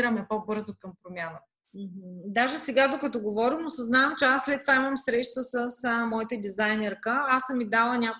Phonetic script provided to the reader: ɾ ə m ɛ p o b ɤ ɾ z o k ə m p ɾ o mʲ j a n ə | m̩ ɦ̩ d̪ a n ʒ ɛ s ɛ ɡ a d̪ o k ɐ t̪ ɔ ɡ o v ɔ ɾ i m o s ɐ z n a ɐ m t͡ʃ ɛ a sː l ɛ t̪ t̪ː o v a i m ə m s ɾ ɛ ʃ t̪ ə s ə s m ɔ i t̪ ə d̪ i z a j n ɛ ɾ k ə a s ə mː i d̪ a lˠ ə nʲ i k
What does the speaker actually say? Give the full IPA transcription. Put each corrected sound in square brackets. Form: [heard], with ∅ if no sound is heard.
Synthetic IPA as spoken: ɾ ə m ɛ p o b ɤ ɾ z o k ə m p ɾ o mʲ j a n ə | m̩ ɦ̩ d̪ a [∅] ʒ ɛ s ɛ ɡ a d̪ o k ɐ t̪ ɔ ɡ o v ɔ ɾ i m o s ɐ z n a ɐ m t͡ʃ ɛ a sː l ɛ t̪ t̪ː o v a i m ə m s ɾ ɛ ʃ t̪ ə s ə s m ɔ i t̪ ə d̪ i z a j n ɛ ɾ k ə a s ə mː i d̪ a lˠ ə nʲ [a] k